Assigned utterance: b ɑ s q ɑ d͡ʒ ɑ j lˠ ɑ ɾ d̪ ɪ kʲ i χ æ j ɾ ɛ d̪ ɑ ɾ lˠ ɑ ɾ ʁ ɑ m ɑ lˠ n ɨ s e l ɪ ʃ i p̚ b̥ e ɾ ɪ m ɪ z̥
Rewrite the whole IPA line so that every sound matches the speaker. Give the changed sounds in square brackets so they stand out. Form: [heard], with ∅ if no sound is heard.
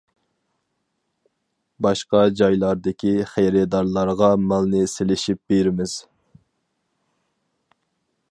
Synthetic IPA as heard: b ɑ [ʃ] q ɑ d͡ʒ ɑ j lˠ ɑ ɾ d̪ ɪ kʲ i χ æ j ɾ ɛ d̪ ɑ ɾ lˠ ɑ ɾ ʁ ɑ m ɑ lˠ n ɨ s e l ɪ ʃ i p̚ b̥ e ɾ ɪ m ɪ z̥